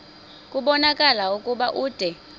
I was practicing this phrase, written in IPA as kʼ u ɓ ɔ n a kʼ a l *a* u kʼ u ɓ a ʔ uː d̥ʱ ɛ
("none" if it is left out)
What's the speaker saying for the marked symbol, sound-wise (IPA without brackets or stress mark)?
a